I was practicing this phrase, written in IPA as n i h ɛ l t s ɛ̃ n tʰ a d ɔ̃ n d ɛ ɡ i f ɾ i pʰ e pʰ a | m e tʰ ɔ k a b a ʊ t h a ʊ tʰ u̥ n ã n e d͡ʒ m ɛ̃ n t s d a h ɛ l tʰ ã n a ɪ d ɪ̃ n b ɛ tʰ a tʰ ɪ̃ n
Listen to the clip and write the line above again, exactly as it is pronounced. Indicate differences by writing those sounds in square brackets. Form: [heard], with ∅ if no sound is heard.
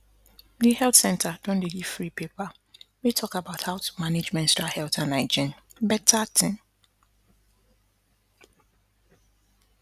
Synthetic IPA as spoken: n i h ɛ l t s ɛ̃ n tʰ a d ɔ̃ n d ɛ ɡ i f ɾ i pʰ e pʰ a | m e tʰ ɔ k a b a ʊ t h a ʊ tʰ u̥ [m] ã n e d͡ʒ m ɛ̃ n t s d a h ɛ l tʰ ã n a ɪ [d͡ʒ] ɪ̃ n b ɛ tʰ a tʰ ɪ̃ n